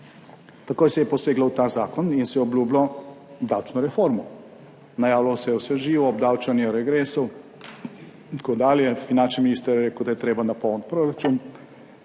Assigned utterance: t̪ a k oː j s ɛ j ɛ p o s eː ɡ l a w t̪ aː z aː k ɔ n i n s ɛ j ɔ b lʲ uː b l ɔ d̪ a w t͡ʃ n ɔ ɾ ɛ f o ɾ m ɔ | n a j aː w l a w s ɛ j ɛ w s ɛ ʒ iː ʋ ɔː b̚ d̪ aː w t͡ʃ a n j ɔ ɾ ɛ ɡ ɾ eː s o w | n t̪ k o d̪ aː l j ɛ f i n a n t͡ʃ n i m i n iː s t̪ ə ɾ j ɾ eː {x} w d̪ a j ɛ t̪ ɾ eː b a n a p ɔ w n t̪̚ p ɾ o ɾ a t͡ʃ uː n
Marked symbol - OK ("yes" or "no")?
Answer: no